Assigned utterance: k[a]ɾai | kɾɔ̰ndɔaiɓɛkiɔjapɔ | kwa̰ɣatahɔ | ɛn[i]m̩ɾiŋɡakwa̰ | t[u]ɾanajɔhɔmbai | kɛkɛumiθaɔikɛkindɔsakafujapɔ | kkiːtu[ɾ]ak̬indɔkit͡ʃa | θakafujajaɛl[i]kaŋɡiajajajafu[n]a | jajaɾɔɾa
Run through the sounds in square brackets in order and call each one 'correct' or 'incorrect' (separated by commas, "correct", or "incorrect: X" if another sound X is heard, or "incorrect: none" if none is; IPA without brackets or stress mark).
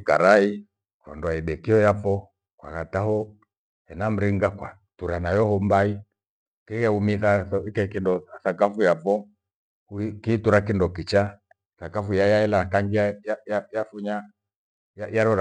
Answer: correct, incorrect: a, correct, correct, incorrect: a, incorrect: ɲ